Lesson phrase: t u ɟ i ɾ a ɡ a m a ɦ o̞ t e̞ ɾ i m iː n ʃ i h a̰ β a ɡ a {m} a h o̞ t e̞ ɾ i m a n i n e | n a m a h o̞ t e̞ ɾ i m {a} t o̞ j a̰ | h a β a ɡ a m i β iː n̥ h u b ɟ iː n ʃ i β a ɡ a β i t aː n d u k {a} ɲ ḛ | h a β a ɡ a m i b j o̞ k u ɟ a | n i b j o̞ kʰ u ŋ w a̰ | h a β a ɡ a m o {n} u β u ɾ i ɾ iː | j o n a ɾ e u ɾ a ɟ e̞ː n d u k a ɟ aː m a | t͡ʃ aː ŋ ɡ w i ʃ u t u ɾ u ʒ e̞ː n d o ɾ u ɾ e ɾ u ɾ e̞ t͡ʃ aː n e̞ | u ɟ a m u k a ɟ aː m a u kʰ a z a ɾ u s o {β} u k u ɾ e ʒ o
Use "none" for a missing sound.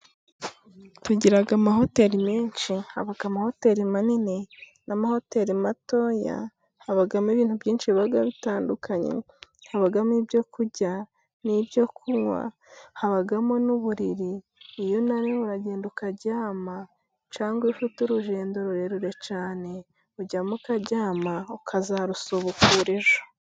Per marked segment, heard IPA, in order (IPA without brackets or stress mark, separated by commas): m, a, a, n, β